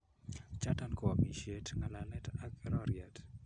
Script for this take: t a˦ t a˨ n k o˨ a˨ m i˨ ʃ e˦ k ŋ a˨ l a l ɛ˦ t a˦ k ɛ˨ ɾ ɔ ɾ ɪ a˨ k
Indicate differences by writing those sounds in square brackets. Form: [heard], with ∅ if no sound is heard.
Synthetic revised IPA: [t͡ʃ] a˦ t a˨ n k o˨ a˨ m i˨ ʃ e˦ [t] ŋ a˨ l a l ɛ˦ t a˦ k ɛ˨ ɾ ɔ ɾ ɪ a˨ [t]